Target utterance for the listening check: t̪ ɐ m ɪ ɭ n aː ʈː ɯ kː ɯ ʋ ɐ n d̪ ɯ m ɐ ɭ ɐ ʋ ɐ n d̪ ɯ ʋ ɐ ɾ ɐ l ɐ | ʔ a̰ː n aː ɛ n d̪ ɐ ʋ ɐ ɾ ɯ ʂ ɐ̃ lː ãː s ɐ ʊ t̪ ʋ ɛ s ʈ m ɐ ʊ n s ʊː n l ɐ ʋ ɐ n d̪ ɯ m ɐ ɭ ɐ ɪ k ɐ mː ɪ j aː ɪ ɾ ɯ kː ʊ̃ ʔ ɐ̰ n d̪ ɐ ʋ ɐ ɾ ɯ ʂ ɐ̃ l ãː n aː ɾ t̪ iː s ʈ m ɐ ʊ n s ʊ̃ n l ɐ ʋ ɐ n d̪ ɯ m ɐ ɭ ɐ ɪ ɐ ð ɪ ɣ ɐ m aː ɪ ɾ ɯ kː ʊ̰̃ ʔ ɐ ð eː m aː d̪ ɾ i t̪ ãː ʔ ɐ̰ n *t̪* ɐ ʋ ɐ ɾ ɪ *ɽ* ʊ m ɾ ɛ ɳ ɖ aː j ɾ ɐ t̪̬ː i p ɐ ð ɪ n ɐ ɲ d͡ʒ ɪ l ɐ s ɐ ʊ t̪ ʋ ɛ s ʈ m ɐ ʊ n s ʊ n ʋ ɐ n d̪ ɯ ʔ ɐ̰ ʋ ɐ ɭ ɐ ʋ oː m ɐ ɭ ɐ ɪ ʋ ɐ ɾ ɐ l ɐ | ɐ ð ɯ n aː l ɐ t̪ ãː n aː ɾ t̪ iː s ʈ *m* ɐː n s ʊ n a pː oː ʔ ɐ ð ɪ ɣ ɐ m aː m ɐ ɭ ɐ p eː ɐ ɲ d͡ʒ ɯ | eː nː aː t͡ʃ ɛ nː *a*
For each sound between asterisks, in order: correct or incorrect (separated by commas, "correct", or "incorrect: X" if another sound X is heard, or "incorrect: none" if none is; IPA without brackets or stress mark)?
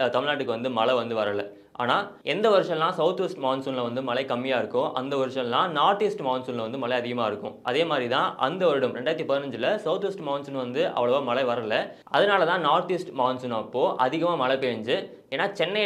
incorrect: d̪, correct, correct, incorrect: ɐ